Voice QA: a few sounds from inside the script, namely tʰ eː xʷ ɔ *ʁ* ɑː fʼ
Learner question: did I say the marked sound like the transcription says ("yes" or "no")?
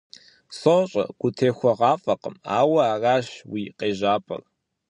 yes